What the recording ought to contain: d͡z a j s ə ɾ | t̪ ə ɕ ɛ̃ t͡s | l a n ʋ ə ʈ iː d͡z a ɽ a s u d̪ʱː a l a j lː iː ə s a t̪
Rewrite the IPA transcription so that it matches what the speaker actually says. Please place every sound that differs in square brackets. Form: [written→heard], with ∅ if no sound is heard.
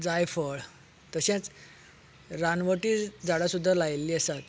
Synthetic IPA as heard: d͡z a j [s→f] ə [ɾ→ɭ] | t̪ ə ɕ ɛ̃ t͡s | [l→ɾ] a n ʋ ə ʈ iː d͡z a ɽ a s u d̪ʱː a l a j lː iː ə s a t̪

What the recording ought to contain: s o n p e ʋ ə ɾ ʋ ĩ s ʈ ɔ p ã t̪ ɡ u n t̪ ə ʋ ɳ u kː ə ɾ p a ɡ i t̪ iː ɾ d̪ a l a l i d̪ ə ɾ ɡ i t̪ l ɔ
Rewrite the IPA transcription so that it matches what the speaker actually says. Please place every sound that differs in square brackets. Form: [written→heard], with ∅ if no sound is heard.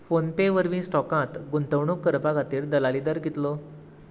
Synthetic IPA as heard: [s→f] o n p e ʋ ə ɾ ʋ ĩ s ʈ ɔ [p→k] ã t̪ ɡ u n t̪ ə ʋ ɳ u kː ə ɾ p a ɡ [i→a] t̪ iː ɾ d̪ [a→ə] l a l i d̪ ə ɾ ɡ i t̪ l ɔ

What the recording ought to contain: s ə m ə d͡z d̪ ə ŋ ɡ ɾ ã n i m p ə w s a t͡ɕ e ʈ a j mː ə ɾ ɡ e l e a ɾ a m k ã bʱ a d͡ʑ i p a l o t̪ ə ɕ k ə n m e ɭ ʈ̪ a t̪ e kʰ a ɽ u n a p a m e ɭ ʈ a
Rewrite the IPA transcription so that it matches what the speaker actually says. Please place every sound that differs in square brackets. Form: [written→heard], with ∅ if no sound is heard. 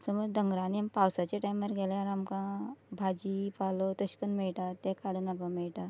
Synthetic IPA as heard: s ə m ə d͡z d̪ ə ŋ ɡ ɾ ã n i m p [ə→a] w s a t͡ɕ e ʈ a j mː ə ɾ ɡ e l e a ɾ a m k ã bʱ a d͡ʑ i p a l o t̪ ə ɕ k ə n m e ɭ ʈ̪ a t̪ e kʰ a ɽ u n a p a m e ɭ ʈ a

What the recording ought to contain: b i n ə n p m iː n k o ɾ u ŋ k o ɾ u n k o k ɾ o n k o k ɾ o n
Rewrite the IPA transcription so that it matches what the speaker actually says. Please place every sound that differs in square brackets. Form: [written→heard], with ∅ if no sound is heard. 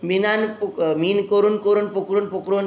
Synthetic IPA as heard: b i n [ə→a] n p m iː n k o ɾ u [ŋ→n] k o ɾ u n [k→p] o k ɾ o n [k→p] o k ɾ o n

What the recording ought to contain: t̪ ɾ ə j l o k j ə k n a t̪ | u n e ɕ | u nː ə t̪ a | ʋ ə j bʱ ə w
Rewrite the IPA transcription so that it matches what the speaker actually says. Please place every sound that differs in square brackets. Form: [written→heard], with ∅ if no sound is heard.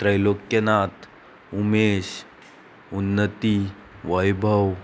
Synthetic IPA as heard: t̪ ɾ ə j l o k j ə [k→∅] n a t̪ | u [n→m] e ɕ | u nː ə t̪ [a→i] | ʋ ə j bʱ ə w

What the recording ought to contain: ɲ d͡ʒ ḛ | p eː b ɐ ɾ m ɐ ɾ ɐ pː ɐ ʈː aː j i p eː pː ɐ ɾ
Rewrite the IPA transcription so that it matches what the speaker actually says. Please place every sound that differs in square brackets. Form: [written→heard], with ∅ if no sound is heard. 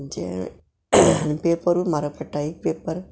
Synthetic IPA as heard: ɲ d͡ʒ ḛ | p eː [b→p] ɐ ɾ m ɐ ɾ ɐ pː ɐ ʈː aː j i p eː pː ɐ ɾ

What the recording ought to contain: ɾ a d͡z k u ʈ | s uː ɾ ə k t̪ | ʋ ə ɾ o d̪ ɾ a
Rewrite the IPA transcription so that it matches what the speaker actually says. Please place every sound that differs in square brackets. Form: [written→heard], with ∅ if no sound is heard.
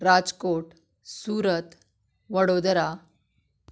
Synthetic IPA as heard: ɾ a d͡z k [u→o] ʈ | s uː ɾ ə [k→∅] t̪ | ʋ ə [ɾ→ɽ] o d̪ ɾ a

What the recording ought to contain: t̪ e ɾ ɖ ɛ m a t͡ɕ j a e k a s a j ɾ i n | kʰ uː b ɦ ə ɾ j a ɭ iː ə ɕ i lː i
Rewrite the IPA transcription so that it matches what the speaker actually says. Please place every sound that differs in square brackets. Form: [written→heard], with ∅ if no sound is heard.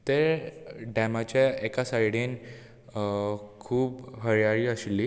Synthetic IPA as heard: t̪ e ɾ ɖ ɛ m a t͡ɕ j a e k a s a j [ɾ→ɽ] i n | kʰ uː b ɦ ə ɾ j a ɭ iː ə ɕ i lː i

